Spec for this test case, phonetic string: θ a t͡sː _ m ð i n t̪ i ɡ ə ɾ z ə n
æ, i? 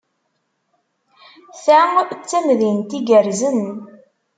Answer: æ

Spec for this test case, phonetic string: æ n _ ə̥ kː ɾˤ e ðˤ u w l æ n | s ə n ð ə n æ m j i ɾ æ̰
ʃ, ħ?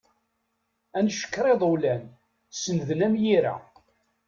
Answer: ʃ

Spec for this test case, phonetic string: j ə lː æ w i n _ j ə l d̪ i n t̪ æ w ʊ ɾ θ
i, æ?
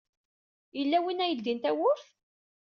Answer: æ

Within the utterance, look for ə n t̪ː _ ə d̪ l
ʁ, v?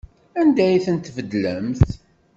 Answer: v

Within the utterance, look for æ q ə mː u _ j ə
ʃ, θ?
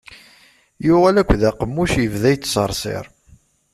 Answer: ʃ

